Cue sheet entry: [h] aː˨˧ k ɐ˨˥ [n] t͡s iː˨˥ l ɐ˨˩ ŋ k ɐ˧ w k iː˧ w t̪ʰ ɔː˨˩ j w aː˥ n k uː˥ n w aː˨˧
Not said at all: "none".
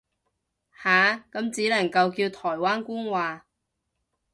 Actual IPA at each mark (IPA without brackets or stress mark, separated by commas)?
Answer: h, m